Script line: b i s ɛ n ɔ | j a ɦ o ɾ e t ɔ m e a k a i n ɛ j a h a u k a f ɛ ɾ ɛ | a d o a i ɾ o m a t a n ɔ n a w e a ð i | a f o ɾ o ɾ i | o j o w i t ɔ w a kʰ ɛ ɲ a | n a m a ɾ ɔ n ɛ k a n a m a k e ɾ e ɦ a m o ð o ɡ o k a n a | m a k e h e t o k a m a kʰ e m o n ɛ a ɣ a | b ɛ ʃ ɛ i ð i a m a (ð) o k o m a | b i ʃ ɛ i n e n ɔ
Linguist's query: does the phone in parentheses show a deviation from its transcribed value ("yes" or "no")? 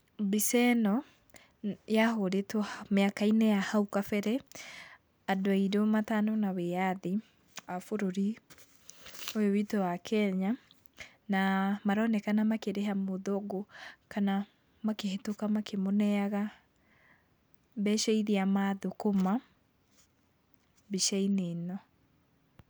no